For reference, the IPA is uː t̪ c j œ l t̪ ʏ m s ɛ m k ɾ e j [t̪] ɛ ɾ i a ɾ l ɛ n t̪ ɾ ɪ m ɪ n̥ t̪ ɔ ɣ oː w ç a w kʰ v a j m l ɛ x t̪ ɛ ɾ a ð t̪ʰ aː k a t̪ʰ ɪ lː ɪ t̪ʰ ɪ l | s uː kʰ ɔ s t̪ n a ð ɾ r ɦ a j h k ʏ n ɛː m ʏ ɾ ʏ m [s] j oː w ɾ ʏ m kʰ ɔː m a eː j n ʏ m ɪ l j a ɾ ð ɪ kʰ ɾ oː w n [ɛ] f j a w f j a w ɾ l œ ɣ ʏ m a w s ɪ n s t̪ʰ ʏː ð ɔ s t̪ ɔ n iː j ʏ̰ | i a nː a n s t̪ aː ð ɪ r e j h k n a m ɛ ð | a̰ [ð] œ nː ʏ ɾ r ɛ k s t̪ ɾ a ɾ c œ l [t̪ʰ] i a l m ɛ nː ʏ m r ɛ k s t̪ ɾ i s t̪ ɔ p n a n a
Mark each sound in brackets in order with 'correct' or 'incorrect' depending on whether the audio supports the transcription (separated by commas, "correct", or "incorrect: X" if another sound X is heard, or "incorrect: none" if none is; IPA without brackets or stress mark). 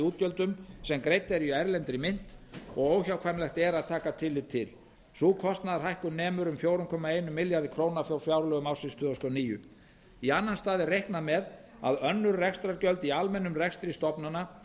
correct, incorrect: f, incorrect: a, correct, incorrect: t̪